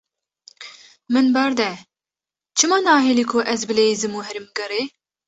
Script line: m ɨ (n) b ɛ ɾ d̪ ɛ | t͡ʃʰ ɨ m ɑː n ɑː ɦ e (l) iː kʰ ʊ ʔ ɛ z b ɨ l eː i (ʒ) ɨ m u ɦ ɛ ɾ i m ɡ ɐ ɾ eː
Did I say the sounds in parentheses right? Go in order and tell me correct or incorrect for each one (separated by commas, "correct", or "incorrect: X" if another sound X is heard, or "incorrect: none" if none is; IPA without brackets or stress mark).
correct, correct, incorrect: z